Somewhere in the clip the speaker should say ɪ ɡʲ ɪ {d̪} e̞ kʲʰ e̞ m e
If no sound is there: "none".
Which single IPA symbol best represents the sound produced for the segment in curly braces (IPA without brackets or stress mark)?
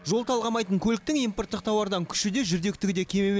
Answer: d̪